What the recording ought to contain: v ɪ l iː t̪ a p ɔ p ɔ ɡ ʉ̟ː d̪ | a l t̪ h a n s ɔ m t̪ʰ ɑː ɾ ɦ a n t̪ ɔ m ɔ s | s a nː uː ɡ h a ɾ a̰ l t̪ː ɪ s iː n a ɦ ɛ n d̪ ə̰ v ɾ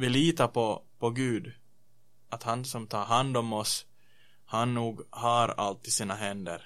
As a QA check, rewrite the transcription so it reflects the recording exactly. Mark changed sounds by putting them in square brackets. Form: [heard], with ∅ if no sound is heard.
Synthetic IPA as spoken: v ɪ l iː t̪ a p ɔ p ɔ ɡ ʉ̟ː d̪ | a [∅] t̪ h a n s ɔ m t̪ʰ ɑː ɾ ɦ a n [d̪] ɔ m ɔ s | [h] a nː uː ɡ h a ɾ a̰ l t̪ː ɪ s iː n a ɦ ɛ n d̪ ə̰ [∅] ɾ